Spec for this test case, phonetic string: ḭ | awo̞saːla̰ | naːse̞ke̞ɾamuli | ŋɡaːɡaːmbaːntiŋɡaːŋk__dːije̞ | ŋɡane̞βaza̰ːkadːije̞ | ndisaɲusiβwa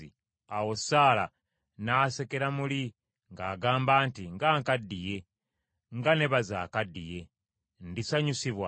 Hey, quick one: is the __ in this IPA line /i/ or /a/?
a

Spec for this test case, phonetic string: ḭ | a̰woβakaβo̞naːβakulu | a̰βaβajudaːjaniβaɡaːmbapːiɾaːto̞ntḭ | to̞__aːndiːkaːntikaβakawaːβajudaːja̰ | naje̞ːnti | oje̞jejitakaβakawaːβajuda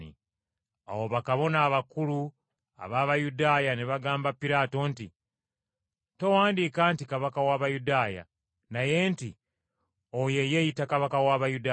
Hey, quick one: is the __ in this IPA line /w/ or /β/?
w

